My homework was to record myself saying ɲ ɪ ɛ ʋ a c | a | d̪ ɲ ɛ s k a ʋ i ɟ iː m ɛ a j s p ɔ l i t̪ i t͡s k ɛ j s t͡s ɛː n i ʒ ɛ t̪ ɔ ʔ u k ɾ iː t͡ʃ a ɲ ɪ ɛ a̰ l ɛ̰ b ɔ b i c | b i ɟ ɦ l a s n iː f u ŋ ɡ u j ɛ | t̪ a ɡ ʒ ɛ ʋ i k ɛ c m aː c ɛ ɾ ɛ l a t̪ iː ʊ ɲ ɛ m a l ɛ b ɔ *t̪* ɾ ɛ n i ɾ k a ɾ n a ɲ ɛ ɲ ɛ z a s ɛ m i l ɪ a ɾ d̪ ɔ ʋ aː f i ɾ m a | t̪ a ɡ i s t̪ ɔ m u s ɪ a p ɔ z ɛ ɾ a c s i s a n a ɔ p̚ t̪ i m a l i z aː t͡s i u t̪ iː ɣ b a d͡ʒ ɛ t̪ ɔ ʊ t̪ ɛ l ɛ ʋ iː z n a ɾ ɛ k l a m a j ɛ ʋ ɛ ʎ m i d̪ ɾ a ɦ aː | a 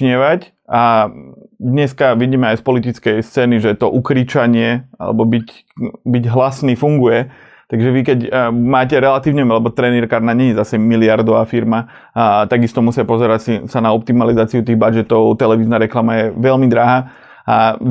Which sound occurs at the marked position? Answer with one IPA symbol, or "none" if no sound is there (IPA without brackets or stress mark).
t̪